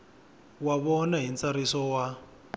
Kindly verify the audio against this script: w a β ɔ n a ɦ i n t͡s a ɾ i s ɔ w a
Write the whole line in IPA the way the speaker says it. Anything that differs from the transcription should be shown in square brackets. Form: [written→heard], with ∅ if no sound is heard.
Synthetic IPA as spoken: w a β ɔ n a ɦ i n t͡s a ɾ i s ɔ w a